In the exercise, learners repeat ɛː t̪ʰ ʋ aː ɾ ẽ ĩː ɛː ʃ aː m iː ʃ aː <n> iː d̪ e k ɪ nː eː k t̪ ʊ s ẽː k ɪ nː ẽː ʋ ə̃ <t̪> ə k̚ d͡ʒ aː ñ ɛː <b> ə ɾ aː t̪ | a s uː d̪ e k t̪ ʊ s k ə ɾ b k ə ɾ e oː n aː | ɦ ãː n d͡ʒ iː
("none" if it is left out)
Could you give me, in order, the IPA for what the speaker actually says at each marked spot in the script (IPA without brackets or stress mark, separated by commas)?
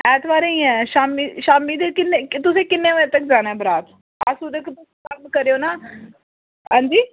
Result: m, t̪, b